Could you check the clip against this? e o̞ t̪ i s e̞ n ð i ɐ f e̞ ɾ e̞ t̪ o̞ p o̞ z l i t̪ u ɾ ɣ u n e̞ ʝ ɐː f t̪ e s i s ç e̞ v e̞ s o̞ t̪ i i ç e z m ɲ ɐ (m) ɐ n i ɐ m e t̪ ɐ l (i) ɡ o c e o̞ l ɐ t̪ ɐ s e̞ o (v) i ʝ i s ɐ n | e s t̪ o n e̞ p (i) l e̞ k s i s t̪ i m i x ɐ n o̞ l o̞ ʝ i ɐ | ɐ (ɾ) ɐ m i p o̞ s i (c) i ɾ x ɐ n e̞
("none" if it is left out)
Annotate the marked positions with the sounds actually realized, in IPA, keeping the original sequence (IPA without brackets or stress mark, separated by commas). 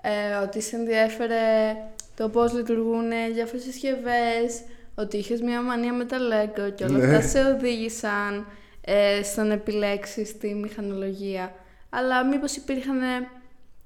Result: m, e, ð, i, l, p